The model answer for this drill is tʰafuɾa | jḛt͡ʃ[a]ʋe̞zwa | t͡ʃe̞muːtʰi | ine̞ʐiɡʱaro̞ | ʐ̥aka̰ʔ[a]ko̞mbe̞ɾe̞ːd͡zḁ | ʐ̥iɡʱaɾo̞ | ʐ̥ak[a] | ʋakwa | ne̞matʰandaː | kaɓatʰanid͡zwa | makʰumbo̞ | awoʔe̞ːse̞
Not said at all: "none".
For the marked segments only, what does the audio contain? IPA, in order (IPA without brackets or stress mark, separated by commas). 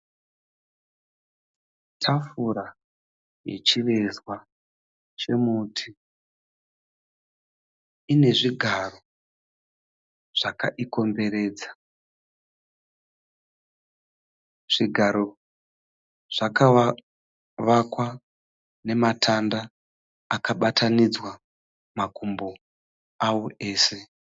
i, i, a